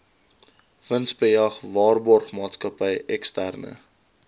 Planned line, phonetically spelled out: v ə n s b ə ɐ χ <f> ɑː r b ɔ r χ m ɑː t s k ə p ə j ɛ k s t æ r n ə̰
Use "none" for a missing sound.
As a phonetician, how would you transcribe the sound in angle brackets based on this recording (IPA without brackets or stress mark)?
v